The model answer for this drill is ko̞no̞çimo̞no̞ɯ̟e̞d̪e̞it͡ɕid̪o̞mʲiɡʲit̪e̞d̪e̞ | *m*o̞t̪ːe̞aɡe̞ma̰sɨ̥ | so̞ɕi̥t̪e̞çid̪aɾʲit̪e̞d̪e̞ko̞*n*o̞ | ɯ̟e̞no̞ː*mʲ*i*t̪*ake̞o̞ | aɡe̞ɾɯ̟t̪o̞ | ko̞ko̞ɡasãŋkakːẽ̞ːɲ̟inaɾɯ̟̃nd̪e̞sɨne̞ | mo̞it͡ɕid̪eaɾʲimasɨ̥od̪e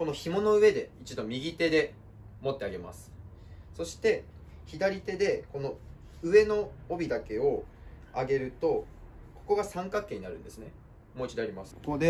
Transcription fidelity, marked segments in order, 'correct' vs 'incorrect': correct, correct, incorrect, incorrect

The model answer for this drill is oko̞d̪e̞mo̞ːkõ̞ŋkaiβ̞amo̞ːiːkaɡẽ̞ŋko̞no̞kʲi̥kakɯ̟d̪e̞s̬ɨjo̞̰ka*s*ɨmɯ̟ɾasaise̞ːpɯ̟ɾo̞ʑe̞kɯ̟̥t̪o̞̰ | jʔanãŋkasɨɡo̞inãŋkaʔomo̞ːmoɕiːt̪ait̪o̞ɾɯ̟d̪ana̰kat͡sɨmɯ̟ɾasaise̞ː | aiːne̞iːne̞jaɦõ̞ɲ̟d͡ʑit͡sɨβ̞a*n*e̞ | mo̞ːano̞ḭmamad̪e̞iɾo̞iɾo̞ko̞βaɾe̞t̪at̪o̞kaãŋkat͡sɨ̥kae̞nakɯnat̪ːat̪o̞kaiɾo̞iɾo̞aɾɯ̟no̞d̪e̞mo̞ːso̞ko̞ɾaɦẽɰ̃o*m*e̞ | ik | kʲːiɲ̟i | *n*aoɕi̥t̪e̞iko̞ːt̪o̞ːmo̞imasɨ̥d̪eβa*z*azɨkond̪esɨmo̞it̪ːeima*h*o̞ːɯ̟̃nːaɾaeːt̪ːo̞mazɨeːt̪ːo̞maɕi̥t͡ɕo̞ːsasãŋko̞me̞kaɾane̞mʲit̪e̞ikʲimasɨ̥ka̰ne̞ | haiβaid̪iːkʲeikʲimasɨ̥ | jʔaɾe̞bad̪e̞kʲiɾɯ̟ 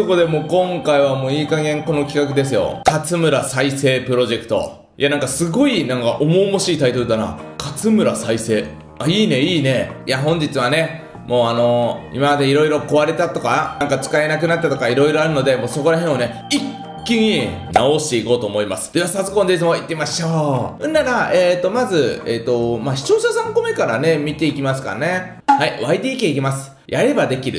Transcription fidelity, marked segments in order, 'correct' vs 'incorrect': incorrect, correct, incorrect, correct, incorrect, incorrect

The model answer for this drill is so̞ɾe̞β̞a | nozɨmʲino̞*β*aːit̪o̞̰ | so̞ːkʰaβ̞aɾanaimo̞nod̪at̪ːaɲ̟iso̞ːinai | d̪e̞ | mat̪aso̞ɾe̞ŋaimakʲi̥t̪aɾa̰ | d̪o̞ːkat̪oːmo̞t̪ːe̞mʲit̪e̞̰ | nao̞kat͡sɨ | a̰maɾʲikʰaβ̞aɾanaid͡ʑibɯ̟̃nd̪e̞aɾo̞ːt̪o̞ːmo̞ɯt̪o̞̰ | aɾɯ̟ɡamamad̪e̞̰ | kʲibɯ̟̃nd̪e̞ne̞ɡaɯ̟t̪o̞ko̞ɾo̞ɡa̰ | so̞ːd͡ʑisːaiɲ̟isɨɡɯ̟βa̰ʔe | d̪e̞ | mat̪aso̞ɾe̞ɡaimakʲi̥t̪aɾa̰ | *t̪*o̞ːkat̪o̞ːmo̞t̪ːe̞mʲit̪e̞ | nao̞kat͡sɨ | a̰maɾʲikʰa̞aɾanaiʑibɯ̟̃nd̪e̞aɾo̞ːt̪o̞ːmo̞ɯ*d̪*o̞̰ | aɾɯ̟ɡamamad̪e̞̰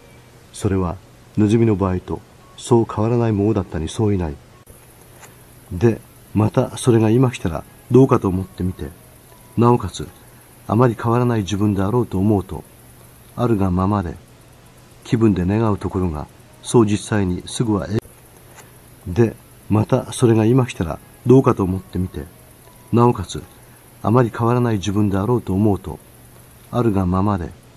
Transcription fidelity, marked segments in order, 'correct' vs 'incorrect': incorrect, incorrect, incorrect

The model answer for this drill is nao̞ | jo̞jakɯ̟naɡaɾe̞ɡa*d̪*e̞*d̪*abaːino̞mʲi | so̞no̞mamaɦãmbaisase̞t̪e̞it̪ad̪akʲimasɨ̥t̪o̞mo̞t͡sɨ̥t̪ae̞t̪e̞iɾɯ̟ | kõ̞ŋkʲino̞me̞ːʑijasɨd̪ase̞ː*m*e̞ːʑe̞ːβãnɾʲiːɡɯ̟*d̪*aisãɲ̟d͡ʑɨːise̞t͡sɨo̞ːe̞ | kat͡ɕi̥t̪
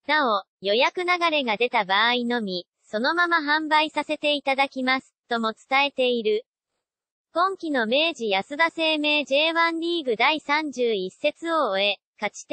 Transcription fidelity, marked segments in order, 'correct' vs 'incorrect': correct, incorrect, correct, correct

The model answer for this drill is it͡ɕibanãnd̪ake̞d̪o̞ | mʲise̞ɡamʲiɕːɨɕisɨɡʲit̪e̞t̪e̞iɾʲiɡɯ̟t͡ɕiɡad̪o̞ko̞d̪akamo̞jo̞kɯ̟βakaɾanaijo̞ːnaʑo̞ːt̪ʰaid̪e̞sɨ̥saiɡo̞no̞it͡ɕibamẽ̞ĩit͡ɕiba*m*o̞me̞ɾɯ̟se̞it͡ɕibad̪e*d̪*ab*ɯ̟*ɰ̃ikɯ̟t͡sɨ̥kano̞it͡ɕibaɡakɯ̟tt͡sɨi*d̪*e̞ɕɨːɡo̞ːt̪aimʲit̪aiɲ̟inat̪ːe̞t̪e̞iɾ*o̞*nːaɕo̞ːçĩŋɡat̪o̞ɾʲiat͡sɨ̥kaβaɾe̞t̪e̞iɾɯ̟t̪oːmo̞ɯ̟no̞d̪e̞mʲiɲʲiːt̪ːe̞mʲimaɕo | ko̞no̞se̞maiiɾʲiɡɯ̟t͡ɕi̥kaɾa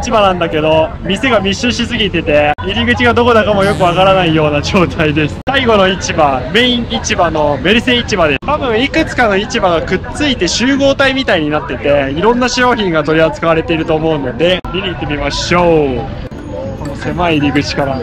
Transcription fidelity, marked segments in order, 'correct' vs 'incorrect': incorrect, incorrect, incorrect, incorrect, incorrect

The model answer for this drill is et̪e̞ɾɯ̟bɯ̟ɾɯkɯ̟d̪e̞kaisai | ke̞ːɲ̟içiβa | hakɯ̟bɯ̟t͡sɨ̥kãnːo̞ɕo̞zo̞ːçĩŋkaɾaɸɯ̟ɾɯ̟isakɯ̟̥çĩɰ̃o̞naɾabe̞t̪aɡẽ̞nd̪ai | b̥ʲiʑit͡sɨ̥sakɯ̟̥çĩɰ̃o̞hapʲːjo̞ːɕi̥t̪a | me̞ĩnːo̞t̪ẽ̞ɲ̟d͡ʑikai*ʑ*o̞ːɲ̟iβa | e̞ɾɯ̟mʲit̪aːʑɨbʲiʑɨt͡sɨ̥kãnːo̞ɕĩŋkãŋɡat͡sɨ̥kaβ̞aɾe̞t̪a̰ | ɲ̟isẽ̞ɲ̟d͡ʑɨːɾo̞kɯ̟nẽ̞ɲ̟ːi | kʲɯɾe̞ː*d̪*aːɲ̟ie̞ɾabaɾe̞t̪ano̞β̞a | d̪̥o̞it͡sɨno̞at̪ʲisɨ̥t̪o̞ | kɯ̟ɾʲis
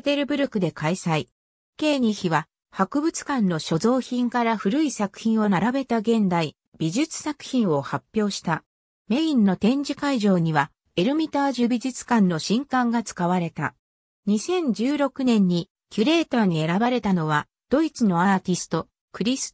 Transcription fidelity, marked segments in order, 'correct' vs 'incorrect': correct, incorrect

